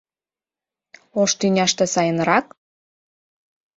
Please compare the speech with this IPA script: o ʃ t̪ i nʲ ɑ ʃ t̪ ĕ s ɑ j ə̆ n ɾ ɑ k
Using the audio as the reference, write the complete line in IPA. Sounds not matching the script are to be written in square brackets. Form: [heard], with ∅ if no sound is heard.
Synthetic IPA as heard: o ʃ t̪ [y] nʲ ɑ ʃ t̪ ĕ s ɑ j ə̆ n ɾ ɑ k